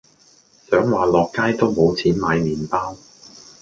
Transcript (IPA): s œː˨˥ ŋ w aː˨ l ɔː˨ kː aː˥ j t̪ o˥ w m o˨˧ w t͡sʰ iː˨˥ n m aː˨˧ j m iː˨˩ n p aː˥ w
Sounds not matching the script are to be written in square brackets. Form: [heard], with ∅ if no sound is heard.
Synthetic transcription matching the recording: s œː˨˥ ŋ w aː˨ l ɔː˨ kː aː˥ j t̪ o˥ w m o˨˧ w t͡sʰ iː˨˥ n m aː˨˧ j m iː˨˩ n p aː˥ w